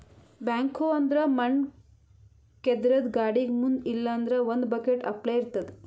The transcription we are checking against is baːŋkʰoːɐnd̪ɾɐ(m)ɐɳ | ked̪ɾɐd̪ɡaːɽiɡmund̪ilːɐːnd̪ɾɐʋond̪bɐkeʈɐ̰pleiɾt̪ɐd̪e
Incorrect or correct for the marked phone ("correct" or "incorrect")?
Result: correct